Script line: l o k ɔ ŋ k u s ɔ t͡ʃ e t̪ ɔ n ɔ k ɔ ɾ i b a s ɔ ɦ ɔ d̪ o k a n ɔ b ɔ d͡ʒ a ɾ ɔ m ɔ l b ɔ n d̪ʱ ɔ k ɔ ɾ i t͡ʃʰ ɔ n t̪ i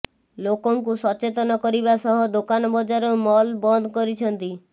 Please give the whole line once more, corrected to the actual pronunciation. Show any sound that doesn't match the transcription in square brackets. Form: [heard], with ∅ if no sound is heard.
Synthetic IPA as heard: l o k ɔ ŋ k u s ɔ t͡ʃ e t̪ ɔ n ɔ k ɔ ɾ i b a s ɔ ɦ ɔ d̪ o k a n ɔ b ɔ d͡ʒ a ɾ ɔ m ɔ l b ɔ n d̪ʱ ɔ k ɔ ɾ i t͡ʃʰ ɔ n t̪ i